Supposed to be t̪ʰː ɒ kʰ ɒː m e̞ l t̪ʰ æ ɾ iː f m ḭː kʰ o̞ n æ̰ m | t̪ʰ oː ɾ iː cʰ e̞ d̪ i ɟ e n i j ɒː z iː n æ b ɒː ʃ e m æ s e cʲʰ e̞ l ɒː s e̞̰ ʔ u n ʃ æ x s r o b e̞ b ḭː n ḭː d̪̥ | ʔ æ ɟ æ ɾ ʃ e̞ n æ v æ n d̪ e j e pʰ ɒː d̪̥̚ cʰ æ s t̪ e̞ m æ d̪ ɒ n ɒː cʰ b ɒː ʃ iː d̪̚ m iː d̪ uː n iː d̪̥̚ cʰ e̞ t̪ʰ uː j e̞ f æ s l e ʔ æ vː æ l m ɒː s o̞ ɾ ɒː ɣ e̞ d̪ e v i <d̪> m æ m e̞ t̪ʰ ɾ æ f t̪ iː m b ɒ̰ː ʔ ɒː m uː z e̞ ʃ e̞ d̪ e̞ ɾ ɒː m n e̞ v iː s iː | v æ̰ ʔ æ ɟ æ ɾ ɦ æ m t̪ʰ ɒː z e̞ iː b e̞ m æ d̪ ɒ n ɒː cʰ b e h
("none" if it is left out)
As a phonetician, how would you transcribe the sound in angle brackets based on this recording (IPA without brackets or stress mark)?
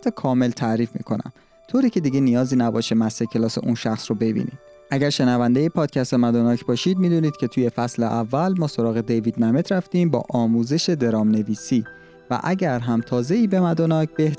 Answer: d̪